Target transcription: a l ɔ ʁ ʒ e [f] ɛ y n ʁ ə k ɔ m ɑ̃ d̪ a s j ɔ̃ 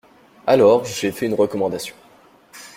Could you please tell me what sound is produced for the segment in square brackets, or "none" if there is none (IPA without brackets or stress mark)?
f